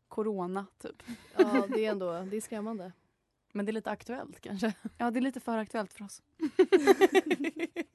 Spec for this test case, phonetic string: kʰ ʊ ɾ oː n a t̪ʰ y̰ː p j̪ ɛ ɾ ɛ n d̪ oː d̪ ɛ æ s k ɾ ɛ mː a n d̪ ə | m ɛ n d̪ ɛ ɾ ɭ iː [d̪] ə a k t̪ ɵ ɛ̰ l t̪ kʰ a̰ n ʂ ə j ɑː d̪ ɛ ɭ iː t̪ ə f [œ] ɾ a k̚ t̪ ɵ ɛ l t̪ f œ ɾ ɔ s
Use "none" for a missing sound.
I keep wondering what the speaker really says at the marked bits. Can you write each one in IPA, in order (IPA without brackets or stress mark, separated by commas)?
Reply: t̪, œː